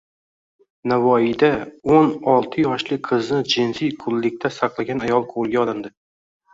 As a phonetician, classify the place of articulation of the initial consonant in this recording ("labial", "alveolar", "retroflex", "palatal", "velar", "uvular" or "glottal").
alveolar